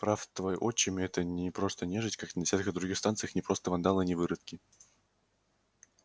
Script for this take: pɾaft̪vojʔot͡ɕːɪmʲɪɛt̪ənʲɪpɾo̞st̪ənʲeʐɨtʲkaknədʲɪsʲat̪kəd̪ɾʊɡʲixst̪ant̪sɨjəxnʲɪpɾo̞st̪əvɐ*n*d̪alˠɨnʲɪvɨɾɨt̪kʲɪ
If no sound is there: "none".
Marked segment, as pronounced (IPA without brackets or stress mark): n